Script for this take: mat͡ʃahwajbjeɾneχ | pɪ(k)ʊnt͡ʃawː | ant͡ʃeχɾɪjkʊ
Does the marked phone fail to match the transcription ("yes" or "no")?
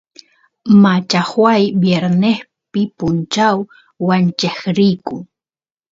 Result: yes